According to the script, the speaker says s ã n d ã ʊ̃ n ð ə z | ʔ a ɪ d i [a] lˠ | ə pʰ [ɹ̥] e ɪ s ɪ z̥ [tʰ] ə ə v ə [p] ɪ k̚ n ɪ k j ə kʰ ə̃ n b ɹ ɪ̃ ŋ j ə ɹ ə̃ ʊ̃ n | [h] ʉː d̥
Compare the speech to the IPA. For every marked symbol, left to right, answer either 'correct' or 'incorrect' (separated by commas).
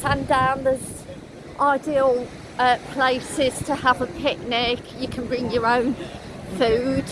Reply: incorrect, incorrect, correct, incorrect, incorrect